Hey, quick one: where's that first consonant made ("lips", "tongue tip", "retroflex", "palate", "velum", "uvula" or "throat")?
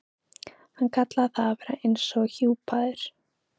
throat